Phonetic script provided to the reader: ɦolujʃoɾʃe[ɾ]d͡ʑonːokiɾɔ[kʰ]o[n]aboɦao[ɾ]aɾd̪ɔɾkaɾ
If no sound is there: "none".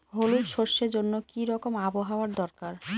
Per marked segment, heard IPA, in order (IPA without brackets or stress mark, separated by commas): ɾ, k, m, none